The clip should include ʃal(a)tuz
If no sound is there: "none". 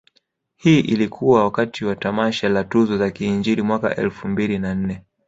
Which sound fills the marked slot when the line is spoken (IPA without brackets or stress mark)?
a